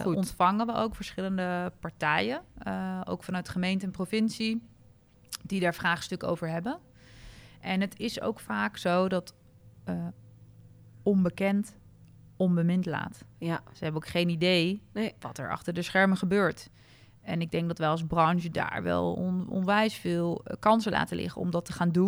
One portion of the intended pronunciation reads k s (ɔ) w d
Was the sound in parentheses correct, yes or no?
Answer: no